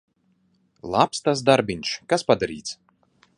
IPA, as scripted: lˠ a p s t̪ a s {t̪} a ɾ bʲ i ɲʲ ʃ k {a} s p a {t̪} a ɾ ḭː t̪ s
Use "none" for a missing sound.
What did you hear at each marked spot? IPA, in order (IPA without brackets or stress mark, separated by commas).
d̪, a, d̪